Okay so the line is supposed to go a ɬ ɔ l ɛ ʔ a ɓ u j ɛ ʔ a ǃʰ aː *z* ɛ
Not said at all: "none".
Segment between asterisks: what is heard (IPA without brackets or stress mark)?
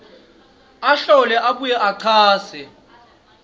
s